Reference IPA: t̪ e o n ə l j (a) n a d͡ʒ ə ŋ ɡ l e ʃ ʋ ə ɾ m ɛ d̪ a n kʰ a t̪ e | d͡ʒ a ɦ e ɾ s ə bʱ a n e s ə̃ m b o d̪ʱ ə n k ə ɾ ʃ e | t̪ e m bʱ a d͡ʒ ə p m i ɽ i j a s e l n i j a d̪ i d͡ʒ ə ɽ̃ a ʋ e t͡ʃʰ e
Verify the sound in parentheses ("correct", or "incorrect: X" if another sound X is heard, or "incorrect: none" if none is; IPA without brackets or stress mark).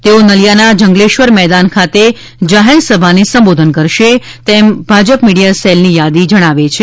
correct